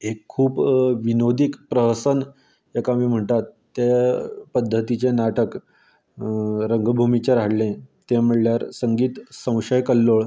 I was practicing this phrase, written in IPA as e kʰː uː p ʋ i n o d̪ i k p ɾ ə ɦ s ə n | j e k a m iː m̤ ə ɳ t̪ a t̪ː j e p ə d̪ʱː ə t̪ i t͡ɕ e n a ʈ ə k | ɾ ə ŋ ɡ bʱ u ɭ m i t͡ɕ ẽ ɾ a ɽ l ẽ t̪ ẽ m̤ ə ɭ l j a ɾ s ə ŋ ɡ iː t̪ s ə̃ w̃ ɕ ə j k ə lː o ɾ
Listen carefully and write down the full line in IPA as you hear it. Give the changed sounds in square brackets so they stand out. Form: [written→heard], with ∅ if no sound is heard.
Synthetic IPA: e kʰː uː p ʋ i n o d̪ i k p ɾ ə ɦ s ə n | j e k a m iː m̤ ə ɳ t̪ a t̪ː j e p ə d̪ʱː ə t̪ i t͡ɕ e n a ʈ ə k | ɾ ə ŋ ɡ bʱ u [ɭ→∅] m i t͡ɕ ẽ ɾ a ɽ l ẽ t̪ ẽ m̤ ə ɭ l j a ɾ s ə ŋ ɡ iː t̪ s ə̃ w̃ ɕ ə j k ə lː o [ɾ→ɭ]